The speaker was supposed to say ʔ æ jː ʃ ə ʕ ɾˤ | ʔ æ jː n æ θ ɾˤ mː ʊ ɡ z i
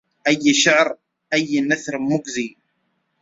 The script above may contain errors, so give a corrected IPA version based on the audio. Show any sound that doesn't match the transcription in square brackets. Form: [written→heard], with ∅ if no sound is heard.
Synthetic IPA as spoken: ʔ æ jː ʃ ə ʕ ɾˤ | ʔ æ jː n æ θ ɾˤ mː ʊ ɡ z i

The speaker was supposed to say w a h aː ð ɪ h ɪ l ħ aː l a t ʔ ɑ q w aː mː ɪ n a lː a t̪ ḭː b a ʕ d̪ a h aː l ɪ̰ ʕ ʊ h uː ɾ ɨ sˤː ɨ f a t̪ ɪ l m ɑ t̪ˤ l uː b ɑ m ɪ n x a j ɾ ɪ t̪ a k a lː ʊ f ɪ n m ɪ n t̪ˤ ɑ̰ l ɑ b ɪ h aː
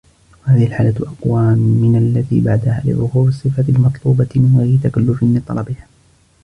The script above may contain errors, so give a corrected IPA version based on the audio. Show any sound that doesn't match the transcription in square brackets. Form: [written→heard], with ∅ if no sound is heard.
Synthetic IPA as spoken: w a h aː ð ɪ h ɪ l ħ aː l a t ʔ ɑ q w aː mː ɪ n a lː a t̪ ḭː b a ʕ d̪ a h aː l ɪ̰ ʕ ʊ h uː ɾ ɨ sˤː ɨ f a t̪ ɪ l m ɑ t̪ˤ l uː b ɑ m ɪ n [x→ɣ] a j ɾ ɪ t̪ a k a lː ʊ f ɪ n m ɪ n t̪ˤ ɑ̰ l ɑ b ɪ h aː

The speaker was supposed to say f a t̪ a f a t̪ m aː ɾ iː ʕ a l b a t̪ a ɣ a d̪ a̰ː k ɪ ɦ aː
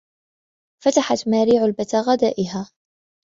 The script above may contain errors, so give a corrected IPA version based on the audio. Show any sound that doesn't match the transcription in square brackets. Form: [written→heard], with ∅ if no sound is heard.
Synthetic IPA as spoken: f a t̪ a [f→ħ] a t̪ m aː ɾ iː ʕ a l b a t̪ a ɣ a d̪ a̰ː [k→ʔ] ɪ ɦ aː

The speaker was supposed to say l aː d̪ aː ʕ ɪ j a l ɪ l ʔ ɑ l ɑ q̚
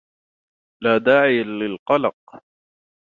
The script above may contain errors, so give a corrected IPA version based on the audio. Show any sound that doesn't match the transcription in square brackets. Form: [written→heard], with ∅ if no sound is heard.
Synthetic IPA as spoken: l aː d̪ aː ʕ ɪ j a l ɪ l [ʔ→q] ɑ l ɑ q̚

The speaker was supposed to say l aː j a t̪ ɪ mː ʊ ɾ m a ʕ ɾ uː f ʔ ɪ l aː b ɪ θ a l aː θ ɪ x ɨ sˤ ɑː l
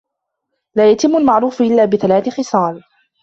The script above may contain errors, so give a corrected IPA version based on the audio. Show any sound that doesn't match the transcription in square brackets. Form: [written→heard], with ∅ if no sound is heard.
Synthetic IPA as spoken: l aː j a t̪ ɪ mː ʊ [ɾ→l] m a ʕ ɾ uː f ʔ ɪ [l→lː] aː b ɪ θ a l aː θ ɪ x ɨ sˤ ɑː l

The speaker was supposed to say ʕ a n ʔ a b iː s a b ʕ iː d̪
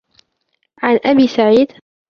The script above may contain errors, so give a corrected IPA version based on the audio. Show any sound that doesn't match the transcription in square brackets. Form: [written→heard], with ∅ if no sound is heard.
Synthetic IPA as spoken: ʕ a n ʔ a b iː s a [b→∅] ʕ iː d̪

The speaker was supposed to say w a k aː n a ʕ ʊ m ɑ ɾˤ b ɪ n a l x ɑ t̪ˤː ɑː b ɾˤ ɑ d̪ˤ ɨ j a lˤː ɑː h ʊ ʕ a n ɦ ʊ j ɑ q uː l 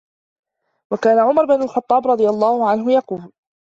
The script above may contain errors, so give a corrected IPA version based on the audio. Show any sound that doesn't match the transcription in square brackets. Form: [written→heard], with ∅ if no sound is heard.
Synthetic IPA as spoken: w a k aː n a ʕ ʊ m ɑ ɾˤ b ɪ n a l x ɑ t̪ˤː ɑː b ɾˤ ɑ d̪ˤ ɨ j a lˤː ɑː h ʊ ʕ a n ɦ ʊ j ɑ q uː l

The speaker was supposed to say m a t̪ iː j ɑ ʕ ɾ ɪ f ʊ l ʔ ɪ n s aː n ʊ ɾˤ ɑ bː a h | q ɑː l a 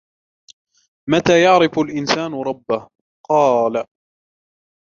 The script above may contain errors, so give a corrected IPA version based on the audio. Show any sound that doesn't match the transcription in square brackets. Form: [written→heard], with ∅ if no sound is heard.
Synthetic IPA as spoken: m a t̪ [iː→aː] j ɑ ʕ ɾ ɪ f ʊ l ʔ ɪ n s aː n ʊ ɾˤ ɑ bː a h | q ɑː l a

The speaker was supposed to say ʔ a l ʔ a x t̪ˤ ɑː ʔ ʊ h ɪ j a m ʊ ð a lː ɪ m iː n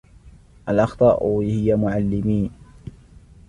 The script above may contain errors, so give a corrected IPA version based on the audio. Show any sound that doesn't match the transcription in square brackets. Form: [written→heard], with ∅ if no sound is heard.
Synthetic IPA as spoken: ʔ a l ʔ [a→ɑ] x t̪ˤ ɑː ʔ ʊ h ɪ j a m ʊ [ð→ʕ] a lː ɪ m iː n

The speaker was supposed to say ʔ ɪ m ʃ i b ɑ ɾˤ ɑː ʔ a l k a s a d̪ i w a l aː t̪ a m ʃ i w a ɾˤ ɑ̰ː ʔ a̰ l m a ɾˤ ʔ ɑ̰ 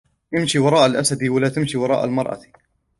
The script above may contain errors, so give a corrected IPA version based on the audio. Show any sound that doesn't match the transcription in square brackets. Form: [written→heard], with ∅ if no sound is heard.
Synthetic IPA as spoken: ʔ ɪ m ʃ i [b→w] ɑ ɾˤ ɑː ʔ a l [k→ʔ] a s a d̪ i w a l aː t̪ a m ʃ i w [a→ɑ] ɾˤ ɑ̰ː ʔ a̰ l m [a→ɑ] ɾˤ ʔ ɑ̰

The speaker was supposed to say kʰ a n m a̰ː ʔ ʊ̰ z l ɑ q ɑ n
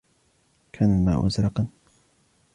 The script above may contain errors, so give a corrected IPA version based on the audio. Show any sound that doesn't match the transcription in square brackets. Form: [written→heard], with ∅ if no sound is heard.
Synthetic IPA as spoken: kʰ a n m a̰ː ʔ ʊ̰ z [l→ɾ] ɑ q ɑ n

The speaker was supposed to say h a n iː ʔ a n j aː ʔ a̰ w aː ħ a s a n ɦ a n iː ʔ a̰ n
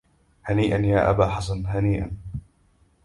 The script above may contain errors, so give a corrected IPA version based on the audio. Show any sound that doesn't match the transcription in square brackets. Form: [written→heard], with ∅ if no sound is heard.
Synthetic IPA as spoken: h a n iː ʔ a n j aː ʔ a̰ [w→b] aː ħ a s a n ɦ a n iː ʔ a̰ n

